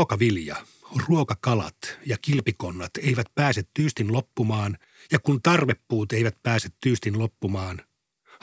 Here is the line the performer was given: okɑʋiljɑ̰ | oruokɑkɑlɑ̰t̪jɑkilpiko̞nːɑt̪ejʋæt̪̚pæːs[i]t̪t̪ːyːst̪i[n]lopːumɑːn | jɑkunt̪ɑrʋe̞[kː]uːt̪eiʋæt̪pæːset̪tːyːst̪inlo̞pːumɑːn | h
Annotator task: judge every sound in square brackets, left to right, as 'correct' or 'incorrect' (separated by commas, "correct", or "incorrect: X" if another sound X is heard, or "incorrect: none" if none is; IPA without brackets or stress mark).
incorrect: e, correct, incorrect: pː